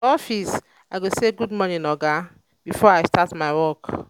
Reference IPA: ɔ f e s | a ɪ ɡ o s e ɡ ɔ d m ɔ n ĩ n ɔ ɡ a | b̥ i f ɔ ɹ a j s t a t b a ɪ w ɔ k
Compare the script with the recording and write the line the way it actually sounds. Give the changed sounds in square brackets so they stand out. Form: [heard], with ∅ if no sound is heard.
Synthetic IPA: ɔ f [i] s | a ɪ ɡ o s e ɡ [u] d m ɔ n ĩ n ɔ ɡ a | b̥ i f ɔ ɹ a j s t a t [m] a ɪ w ɔ k